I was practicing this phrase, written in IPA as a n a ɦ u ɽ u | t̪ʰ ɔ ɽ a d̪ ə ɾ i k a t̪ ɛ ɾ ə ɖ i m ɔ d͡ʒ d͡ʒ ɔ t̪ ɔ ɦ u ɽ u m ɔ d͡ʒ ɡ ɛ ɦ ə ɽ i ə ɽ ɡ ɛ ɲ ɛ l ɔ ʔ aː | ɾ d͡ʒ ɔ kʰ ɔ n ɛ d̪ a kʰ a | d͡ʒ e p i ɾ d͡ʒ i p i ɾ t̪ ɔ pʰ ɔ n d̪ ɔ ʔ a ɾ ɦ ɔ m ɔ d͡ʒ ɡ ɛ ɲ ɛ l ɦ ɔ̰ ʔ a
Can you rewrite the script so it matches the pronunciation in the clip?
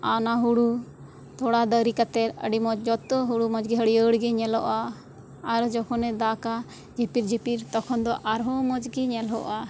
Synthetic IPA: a n a ɦ u ɽ u | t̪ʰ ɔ ɽ a d̪ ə ɾ i k a t̪ ɛ ɾ ə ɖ i m ɔ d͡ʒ d͡ʒ ɔ t̪ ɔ ɦ u ɽ u m ɔ d͡ʒ ɡ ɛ ɦ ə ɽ i ə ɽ ɡ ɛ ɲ ɛ l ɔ ʔ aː | ɾ d͡ʒ ɔ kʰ ɔ n ɛ d̪ a k a | d͡ʒ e p i ɾ d͡ʒ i p i ɾ t̪ ɔ kʰ ɔ n d̪ ɔ ʔ a ɾ ɦ ɔ m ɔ d͡ʒ ɡ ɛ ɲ ɛ l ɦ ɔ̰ ʔ a